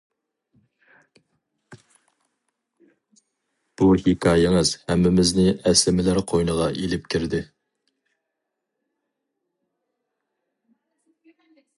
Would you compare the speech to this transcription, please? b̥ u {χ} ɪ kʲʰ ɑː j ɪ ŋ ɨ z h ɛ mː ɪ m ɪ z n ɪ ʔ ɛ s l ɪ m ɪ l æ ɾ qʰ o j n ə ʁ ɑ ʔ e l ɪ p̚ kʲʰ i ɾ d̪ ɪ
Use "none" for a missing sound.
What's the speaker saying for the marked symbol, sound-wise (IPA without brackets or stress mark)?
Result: h